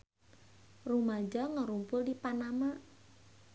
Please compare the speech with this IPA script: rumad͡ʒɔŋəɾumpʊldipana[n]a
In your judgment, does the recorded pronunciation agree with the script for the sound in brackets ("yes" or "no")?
no